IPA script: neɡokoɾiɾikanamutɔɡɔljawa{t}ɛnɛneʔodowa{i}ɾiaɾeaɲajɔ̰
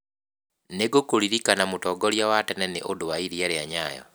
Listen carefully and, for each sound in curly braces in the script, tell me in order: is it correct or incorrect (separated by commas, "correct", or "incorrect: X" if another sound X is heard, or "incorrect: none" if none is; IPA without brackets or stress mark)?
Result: correct, correct